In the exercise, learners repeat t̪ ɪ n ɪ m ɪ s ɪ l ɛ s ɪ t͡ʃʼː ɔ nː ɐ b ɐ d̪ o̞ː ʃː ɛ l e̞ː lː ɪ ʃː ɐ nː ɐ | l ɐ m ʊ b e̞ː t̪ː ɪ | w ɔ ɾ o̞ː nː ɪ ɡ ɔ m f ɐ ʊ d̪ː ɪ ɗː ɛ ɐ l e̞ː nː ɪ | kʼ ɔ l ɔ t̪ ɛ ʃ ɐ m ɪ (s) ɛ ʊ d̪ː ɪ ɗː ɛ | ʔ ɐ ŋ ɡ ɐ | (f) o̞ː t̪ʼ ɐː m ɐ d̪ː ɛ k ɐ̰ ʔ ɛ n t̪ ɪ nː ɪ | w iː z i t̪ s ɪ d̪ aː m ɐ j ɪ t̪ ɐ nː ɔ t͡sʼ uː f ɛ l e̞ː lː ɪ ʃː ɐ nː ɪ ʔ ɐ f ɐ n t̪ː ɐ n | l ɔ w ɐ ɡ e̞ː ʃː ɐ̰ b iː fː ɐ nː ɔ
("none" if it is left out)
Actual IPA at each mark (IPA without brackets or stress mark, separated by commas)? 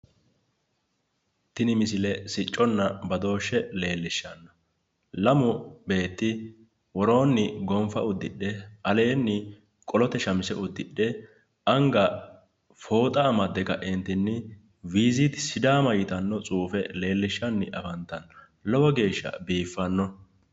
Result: s, f